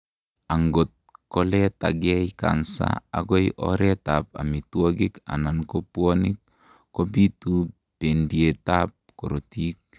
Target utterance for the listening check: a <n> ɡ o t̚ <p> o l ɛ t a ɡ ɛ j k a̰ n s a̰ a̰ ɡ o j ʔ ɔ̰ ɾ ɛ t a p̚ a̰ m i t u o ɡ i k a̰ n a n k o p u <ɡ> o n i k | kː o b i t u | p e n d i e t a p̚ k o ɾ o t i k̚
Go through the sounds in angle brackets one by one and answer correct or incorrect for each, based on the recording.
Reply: incorrect, incorrect, incorrect

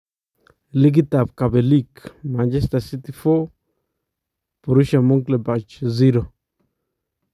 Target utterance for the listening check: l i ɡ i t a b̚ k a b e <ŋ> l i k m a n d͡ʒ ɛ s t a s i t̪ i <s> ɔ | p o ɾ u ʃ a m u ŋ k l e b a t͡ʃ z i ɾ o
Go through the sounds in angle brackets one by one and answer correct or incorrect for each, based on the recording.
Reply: incorrect, incorrect

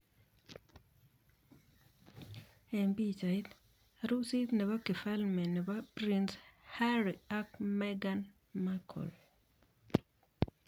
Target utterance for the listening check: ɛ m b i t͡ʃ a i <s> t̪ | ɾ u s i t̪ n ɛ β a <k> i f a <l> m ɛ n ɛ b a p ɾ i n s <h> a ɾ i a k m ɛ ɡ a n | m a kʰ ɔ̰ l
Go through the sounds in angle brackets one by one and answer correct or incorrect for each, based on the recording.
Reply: incorrect, correct, correct, correct

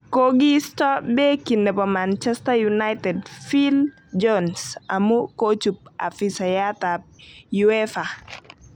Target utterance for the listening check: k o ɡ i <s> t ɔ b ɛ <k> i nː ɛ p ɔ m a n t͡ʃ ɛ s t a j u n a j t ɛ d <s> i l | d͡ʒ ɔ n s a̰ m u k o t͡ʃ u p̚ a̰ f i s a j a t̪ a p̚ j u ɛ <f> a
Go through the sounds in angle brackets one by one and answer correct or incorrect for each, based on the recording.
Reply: correct, correct, incorrect, correct

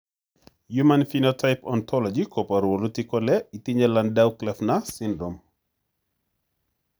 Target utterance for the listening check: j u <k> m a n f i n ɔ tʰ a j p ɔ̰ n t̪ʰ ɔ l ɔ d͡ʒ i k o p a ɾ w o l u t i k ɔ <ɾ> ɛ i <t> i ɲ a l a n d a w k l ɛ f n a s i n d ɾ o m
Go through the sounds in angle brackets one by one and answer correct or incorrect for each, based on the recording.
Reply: incorrect, incorrect, correct

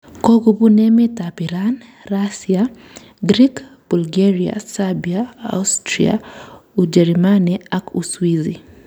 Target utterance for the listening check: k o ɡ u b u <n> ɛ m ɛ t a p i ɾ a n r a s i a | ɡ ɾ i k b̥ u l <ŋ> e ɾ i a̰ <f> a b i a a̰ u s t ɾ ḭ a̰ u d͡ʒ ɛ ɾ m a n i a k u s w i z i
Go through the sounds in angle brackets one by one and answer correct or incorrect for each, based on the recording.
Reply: correct, incorrect, incorrect

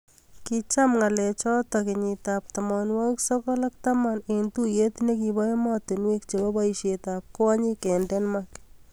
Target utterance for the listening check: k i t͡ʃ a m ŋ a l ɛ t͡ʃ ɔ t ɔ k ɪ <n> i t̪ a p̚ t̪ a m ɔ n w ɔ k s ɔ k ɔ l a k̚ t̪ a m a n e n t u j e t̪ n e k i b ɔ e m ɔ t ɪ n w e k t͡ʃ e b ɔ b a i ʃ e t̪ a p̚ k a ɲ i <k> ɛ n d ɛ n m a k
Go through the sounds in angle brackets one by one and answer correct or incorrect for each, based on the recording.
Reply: incorrect, correct

